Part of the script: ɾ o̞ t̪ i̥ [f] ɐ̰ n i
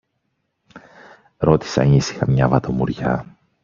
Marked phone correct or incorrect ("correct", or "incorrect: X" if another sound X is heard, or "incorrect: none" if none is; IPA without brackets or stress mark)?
incorrect: s